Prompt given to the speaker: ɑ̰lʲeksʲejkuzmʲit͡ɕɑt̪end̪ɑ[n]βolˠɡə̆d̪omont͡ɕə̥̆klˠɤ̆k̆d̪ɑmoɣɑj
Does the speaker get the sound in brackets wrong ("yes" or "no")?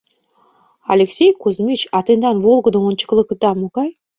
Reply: no